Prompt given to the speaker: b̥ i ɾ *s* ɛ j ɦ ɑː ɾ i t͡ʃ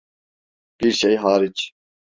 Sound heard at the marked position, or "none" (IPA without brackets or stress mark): ʃ